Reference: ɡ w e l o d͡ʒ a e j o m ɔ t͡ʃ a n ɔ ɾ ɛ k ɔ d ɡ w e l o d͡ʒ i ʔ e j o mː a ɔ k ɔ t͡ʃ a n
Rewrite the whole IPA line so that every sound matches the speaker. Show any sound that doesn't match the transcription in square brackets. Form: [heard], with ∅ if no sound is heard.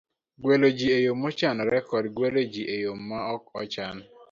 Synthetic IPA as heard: ɡ w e l o d͡ʒ [i] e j o m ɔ t͡ʃ a n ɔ ɾ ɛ k ɔ d ɡ w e l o d͡ʒ i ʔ e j o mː a ɔ k ɔ t͡ʃ a n